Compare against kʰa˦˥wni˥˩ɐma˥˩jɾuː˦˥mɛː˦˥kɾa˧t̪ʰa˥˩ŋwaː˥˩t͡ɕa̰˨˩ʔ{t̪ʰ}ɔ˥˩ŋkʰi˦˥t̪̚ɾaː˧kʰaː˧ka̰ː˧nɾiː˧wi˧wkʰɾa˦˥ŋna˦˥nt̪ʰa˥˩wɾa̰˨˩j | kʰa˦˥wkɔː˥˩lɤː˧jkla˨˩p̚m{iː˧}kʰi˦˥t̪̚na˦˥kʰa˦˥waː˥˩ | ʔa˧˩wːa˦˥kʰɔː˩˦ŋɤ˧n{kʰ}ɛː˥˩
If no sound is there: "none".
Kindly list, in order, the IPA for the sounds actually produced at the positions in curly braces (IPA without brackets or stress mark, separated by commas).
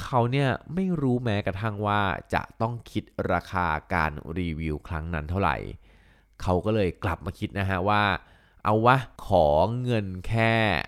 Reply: t̪, aː˧, kʰ